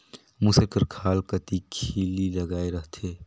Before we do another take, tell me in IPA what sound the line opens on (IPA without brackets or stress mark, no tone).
m